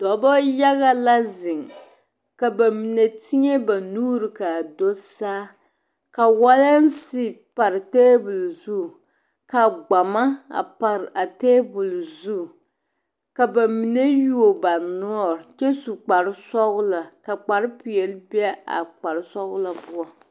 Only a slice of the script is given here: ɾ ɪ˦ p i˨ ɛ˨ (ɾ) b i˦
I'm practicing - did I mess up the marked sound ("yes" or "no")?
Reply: yes